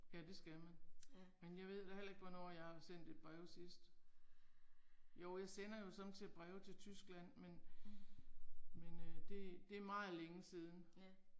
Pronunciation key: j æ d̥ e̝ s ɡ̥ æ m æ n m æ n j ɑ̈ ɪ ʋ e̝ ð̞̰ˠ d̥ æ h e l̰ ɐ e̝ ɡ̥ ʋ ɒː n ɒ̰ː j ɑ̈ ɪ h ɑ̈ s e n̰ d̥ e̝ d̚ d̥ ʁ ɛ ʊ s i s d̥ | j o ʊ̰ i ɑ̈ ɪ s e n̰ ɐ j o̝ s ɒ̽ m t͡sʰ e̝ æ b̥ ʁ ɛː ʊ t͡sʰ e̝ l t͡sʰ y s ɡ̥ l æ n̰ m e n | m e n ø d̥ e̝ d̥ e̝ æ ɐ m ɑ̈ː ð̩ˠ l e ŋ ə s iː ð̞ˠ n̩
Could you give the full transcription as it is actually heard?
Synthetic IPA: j æ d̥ e̝ s ɡ̥ æ m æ n m e n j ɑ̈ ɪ ʋ e̝ ð̞̰ˠ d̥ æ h e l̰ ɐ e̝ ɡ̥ ʋ ɒ n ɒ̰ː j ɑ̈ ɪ h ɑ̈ s e n̰ d̥ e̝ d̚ b̥ ʁ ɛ ʊ s i s d̥ | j o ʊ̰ j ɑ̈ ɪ s e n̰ ɐ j o̝ s ɒ̽ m t͡sʰ e̝ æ b̥ ʁ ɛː ʊ t͡sʰ e̝ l t͡sʰ y s ɡ̥ l æ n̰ m e n | m e n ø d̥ e̝ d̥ e̝ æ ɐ m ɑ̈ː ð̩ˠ l e ŋ ə s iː ð̞ˠ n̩